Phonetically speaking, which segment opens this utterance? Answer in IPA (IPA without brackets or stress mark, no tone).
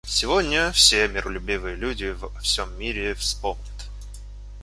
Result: sʲ